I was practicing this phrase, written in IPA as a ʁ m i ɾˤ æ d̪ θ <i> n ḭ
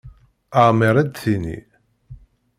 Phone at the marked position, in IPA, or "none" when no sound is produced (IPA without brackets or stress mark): i